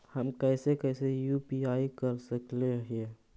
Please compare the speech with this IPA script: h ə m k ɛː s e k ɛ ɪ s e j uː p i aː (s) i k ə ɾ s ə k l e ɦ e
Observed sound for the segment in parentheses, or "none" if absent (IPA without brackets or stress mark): none